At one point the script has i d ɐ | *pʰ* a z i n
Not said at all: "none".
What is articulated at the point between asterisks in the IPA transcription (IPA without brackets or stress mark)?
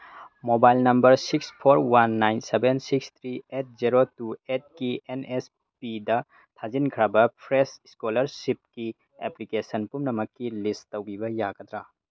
tʰ